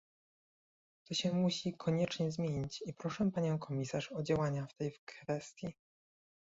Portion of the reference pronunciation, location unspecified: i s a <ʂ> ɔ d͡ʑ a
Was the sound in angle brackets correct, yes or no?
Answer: yes